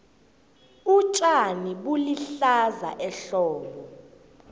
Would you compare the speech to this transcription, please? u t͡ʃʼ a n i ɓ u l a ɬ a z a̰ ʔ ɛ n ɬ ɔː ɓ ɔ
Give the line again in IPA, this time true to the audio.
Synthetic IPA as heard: u t͡ʃʼ a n i ɓ u l i ɬ a z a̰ ʔ ɛ ɬ ɔː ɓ ɔ